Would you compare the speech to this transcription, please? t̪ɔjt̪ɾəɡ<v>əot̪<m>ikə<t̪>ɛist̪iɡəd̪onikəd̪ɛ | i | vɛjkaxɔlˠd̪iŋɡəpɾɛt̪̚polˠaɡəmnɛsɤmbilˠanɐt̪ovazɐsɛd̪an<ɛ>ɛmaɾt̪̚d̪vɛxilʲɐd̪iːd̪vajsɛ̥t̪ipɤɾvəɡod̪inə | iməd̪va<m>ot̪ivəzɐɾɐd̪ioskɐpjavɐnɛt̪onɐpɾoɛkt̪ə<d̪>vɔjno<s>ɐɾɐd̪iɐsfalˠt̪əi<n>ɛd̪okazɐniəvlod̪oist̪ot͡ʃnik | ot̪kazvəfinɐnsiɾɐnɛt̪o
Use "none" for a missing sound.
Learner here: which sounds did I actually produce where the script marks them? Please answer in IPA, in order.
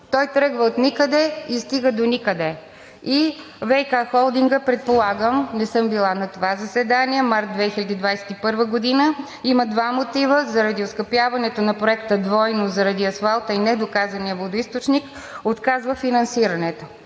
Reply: v, n, d̪, i, m, d̪, z, n

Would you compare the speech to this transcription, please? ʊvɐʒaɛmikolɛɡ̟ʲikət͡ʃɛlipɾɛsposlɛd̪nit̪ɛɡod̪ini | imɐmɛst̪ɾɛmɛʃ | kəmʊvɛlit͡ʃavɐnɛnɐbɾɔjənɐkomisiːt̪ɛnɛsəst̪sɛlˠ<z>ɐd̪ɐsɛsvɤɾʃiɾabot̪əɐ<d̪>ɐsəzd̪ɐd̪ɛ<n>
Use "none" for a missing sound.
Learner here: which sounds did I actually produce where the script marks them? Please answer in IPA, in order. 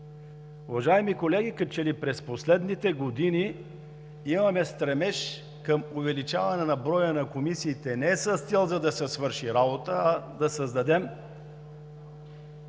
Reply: z, d̪, m

